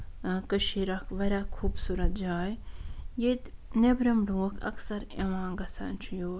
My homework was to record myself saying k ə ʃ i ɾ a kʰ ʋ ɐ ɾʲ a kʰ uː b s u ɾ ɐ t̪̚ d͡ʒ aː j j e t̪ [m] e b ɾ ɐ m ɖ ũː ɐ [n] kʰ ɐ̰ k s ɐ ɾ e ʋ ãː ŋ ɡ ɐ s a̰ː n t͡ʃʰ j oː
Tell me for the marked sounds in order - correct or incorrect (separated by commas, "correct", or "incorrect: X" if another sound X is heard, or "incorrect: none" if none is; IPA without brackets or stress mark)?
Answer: incorrect: n, incorrect: none